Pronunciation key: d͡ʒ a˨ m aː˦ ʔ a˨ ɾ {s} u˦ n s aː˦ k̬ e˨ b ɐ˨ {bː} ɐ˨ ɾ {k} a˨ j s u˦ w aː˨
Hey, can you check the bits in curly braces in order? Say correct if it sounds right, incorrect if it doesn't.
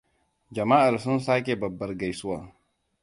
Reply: correct, correct, incorrect: ɡ

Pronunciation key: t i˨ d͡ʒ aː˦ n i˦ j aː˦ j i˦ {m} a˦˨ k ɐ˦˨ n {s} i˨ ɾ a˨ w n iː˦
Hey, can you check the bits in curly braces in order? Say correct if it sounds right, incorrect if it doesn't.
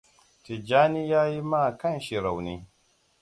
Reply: correct, incorrect: ʃ

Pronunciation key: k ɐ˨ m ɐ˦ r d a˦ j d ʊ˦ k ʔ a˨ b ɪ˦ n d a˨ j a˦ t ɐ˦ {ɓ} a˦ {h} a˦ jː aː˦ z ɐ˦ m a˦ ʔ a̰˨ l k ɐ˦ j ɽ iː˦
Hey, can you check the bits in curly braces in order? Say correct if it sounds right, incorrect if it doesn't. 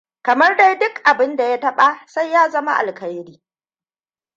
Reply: correct, incorrect: s

